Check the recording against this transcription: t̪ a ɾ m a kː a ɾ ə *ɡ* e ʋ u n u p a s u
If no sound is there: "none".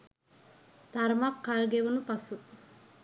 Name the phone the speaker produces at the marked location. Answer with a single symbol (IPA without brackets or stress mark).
ɡ